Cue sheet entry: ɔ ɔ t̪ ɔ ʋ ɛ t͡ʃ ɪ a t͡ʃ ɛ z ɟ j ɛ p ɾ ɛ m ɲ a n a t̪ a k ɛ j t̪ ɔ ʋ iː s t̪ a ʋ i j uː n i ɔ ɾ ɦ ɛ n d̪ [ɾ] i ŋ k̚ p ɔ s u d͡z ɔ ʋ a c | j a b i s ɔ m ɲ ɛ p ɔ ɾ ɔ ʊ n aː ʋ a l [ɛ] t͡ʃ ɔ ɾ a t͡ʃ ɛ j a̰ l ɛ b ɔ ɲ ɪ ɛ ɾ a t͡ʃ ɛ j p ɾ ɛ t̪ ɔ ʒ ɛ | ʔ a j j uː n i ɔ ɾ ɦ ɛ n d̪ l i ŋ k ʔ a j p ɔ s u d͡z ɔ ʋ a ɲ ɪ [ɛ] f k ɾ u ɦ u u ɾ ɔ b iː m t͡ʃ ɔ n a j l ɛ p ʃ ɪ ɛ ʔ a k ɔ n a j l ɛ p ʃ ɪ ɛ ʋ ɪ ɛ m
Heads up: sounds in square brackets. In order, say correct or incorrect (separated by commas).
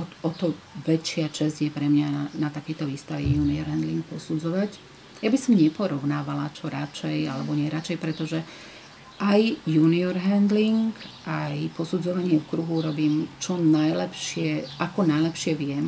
incorrect, incorrect, correct